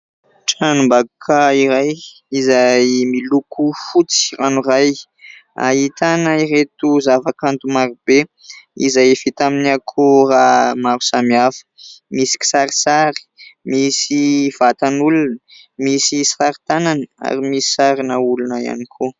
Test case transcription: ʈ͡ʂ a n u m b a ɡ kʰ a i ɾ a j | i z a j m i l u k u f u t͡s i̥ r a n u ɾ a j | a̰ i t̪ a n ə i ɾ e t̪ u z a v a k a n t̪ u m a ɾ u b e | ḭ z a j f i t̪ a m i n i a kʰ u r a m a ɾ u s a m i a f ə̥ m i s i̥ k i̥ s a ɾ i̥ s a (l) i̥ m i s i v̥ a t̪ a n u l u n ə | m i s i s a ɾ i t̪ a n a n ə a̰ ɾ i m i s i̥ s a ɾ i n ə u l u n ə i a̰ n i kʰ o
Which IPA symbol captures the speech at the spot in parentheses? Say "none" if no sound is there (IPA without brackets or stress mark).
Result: ɾ